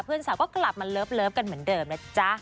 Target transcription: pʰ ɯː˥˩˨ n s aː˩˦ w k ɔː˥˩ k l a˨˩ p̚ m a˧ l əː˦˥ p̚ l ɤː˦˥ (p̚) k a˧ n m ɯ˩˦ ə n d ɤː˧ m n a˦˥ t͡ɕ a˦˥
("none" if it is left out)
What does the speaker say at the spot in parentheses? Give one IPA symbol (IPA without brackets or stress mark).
p̚